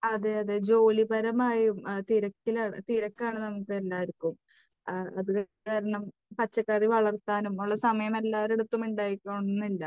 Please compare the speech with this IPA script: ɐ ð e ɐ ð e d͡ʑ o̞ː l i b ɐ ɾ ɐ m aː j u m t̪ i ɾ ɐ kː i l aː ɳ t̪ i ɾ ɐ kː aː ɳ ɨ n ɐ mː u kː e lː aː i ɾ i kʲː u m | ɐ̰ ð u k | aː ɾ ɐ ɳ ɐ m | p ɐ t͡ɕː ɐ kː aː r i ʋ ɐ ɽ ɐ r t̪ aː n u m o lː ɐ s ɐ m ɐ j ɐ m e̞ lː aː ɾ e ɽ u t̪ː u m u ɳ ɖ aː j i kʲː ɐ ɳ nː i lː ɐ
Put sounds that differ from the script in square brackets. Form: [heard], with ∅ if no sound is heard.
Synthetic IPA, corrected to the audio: ɐ ð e ɐ ð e d͡ʑ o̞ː l i b ɐ ɾ ɐ m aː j u m t̪ i ɾ ɐ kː i l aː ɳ t̪ i ɾ ɐ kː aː ɳ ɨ n ɐ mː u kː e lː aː i ɾ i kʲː u m | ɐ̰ ð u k | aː ɾ ɐ ɳ ɐ m | p ɐ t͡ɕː ɐ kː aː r i ʋ ɐ [ɭ] ɐ r t̪ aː n u m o [ɭː] ɐ s ɐ m ɐ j ɐ m e̞ lː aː ɾ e ɽ u t̪ː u m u ɳ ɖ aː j i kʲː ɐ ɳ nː i lː ɐ